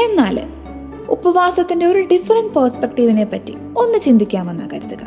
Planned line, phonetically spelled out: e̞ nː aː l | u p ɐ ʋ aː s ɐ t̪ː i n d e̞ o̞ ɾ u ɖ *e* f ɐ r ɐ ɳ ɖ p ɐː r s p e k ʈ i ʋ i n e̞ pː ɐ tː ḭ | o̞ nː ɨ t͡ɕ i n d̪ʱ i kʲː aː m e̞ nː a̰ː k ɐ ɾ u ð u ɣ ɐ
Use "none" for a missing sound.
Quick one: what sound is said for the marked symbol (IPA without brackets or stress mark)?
i